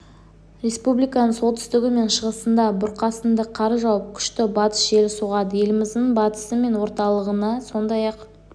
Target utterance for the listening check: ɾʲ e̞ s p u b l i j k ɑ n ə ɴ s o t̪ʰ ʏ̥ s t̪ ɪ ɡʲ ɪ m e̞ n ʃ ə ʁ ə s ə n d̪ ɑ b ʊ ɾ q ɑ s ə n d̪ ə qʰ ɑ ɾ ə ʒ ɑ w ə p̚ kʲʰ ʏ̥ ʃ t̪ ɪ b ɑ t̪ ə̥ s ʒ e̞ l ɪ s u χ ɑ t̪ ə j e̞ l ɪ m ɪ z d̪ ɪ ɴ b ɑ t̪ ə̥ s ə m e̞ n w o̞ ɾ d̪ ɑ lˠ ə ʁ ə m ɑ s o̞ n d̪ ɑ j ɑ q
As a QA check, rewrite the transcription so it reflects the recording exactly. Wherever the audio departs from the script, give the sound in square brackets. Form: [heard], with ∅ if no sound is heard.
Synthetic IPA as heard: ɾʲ e̞ s p u b l i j k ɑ n ə ɴ s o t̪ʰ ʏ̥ s t̪ ɪ ɡʲ ɪ m e̞ n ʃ ə ʁ ə s ə n d̪ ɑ b ʊ ɾ q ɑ s ə n d̪ ə qʰ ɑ ɾ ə ʒ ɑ w ə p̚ kʲʰ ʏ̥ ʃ t̪ ɪ b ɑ t̪ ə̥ s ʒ e̞ l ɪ s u [ʁ] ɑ [d̪] ə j e̞ l ɪ m ɪ z d̪ ɪ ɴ b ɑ t̪ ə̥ s ə m e̞ n w o̞ ɾ [t̪] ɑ lˠ ə ʁ ə [n] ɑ s o̞ n d̪ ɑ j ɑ q